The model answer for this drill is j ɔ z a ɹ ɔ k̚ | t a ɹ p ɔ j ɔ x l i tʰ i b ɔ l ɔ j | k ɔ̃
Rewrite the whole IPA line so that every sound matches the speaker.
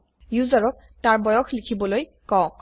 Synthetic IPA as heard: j u z a ɹ ɔ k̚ | t a ɹ b ɔ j ɔ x l i kʰ i b ɔ l o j | k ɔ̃